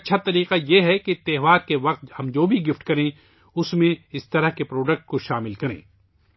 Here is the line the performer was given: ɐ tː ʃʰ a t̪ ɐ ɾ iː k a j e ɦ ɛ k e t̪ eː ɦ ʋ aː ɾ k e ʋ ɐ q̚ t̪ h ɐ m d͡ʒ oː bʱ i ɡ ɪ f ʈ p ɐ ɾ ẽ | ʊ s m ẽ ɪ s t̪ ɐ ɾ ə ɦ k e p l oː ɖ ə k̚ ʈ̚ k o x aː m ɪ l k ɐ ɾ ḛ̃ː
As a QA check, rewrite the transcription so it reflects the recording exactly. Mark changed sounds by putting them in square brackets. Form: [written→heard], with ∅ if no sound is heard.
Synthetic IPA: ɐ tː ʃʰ a t̪ ɐ ɾ iː [k→q] a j e ɦ ɛ k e t̪ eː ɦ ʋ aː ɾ k e ʋ ɐ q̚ t̪ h ɐ m d͡ʒ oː bʱ i ɡ ɪ f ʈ [p→k] ɐ ɾ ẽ | ʊ s m ẽ ɪ s t̪ ɐ ɾ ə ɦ k e p [l→ɾ] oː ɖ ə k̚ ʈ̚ k o [x→ʃ] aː m ɪ l k ɐ ɾ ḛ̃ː

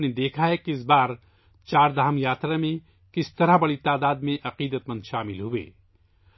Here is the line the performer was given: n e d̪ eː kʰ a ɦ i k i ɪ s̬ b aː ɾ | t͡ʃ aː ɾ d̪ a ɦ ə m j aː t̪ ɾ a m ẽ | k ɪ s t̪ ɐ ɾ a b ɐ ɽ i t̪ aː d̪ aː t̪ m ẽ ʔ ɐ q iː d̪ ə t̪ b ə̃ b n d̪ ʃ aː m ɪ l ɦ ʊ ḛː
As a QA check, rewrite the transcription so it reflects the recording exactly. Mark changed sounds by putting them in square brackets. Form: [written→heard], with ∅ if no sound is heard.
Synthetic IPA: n e d̪ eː kʰ a ɦ [i→ɛ] k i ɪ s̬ b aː ɾ | t͡ʃ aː ɾ d̪ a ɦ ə m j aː t̪ ɾ a m ẽ | k ɪ s t̪ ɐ ɾ a b ɐ ɽ i t̪ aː d̪ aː [t̪→d̪] m ẽ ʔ ɐ q iː d̪ ə t̪ [b→m] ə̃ [b→∅] n d̪ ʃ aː m ɪ l ɦ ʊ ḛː

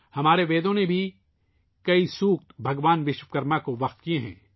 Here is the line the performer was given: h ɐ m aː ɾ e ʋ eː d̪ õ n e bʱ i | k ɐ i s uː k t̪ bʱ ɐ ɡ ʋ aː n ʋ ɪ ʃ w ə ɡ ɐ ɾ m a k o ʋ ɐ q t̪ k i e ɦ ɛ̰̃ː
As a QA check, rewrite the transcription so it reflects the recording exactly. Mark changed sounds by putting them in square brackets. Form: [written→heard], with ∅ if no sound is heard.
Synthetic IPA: h ɐ m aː ɾ e ʋ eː d̪ õ n e bʱ i | k ɐ i s uː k t̪ bʱ ɐ ɡ ʋ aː n ʋ ɪ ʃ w ə [ɡ→k] ɐ ɾ m a k o ʋ ɐ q t̪ k i e ɦ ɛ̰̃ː

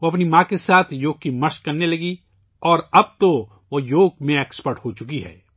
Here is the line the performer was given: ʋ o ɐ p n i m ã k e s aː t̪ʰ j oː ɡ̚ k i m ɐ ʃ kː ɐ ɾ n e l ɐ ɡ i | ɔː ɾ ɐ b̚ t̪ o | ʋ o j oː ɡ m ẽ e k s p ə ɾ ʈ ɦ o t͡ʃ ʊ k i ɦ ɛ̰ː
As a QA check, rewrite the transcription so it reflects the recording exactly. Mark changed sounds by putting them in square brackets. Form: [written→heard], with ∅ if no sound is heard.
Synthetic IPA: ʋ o ɐ p n i m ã k e s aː t̪ʰ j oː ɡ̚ k i m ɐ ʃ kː ɐ ɾ n e l ɐ ɡ i | ɔː ɾ ɐ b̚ t̪ o | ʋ o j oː ɡ m ẽ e k s p ə ɾ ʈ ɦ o t͡ʃ ʊ k i ɦ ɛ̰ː

